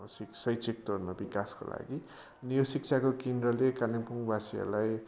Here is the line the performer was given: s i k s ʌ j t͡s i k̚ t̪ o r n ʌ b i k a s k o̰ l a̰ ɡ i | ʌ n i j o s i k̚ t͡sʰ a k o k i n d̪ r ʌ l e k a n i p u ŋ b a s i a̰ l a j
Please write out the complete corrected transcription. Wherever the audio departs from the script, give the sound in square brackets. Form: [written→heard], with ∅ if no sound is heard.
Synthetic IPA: s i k s ʌ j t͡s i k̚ t̪ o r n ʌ b i k a s k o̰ l a̰ ɡ i | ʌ n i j o s i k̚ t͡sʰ a k o k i n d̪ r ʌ l e k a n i p u ŋ b a s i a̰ l a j